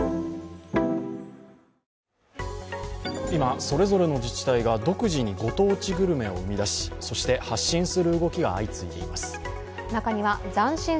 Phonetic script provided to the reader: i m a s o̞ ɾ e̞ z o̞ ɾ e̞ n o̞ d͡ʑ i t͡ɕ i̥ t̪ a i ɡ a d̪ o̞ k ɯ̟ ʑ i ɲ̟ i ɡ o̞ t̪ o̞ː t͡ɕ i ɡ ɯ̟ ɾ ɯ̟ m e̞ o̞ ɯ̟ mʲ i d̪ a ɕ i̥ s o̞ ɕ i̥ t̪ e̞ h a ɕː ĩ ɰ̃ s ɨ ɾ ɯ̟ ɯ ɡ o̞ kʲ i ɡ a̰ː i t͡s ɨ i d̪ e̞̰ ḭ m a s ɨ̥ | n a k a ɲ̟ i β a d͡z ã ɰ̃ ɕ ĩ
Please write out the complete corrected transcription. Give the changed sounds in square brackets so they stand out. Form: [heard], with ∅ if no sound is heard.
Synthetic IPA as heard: i m a s o̞ ɾ e̞ z o̞ ɾ e̞ n o̞ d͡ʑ i t͡ɕ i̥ t̪ a i ɡ a d̪ o̞ k ɯ̟ ʑ i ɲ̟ i ɡ o̞ t̪ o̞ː t͡ɕ i ɡ ɯ̟ ɾ ɯ̟ m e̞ o̞ ɯ̟ mʲ i d̪ a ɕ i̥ s o̞ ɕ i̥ t̪ e̞ h a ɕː ĩ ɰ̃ s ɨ ɾ ɯ̟ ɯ ɡ o̞ kʲ i ɡ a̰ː i t͡s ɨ i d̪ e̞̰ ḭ m a s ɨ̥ | n a k a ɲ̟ i β a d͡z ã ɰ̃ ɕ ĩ